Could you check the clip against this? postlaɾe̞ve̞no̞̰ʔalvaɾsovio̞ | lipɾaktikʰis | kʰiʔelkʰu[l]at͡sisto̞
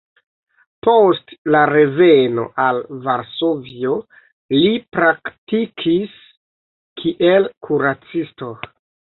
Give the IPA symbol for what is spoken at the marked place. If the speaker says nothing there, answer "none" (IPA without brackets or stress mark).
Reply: ɾ